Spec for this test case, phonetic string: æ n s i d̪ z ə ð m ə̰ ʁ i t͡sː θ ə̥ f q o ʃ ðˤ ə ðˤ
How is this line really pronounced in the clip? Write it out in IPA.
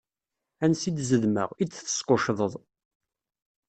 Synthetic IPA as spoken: æ n s i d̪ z ə ð m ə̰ ʁ i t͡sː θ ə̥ s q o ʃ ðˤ ə ðˤ